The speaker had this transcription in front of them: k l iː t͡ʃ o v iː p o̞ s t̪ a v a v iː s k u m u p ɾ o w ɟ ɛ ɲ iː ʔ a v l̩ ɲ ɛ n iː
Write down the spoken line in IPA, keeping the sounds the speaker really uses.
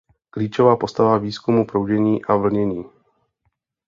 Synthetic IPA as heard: k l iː t͡ʃ o v aː p o̞ s t̪ a v a v iː s k u m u p ɾ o w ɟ ɛ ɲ iː ʔ a v l̩ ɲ ɛ ɲ iː

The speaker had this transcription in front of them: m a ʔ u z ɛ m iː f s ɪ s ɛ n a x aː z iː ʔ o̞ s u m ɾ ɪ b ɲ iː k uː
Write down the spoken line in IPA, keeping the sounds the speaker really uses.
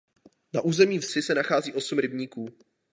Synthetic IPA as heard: n a ʔ uː z ɛ m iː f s ɪ s ɛ n a x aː z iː ʔ o̞ s u m ɾ ɪ b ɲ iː k uː

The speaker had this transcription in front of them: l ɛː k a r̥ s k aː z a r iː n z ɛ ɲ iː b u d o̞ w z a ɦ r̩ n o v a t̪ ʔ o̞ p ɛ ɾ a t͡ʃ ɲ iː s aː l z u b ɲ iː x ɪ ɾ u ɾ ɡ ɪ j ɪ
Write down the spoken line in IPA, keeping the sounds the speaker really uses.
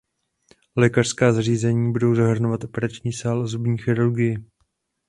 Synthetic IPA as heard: l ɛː k a r̥ s k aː z a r iː z ɛ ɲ iː b u d o̞ w z a ɦ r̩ n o v a t̪ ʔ o̞ p ɛ ɾ a t͡ʃ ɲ iː s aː l z u b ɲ iː x ɪ ɾ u ɾ ɡ ɪ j ɪ

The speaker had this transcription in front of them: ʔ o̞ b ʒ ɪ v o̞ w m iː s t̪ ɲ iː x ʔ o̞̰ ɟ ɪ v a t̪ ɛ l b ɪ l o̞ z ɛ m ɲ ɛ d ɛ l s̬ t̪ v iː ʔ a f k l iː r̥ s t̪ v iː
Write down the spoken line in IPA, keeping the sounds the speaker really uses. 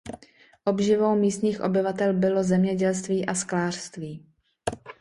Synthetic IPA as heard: ʔ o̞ b ʒ ɪ v o̞ w m iː s t̪ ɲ iː x ʔ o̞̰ b ɪ v a t̪ ɛ l b ɪ l o̞ z ɛ m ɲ ɛ ɟ ɛ l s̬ t̪ v iː ʔ a s k l aː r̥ s t̪ v iː

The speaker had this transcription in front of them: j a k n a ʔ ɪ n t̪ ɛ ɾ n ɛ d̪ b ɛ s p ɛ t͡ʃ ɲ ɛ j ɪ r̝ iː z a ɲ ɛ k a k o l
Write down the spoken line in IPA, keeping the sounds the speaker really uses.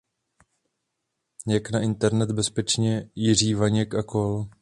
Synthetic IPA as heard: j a k n a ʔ ɪ n t̪ ɛ ɾ n ɛ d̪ b ɛ s p ɛ t͡ʃ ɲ ɛ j ɪ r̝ iː v a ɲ ɛ k a k o l

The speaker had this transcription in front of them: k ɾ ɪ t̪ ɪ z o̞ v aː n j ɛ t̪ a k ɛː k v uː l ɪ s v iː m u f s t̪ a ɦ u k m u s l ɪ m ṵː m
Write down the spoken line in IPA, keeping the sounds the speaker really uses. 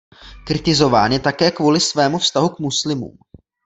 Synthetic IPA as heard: k ɾ ɪ t̪ ɪ z o̞ v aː n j ɛ t̪ a k ɛː k v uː l ɪ s v ɛː m u f s t̪ a ɦ u k m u s l ɪ m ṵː m

